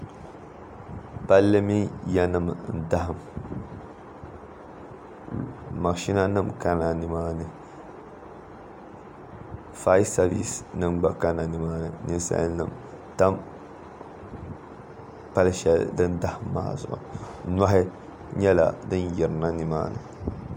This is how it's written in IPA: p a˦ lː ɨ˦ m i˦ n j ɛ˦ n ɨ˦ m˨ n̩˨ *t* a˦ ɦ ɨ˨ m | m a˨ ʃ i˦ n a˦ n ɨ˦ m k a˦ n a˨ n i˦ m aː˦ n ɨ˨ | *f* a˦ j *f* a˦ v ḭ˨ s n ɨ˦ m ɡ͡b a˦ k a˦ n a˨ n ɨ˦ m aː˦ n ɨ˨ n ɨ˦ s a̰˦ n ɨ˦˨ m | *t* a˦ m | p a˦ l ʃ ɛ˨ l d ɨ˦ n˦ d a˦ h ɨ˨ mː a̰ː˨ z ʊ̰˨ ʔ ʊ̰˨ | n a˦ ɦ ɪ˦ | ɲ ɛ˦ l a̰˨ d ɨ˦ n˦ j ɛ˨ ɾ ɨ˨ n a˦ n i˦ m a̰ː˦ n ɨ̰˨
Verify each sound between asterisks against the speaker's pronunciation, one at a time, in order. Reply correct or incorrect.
incorrect, correct, incorrect, correct

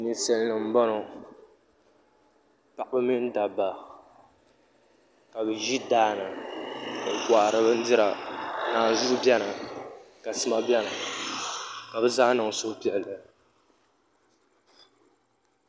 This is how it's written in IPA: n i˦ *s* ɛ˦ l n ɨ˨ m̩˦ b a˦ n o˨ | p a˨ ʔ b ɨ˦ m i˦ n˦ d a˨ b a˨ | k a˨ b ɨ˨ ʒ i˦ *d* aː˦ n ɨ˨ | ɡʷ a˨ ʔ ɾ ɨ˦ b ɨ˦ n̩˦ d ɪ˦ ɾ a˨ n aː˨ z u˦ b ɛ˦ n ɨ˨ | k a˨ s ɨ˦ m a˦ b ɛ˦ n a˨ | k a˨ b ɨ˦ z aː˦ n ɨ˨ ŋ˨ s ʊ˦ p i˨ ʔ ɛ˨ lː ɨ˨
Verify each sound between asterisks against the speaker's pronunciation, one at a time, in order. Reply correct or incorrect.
correct, correct

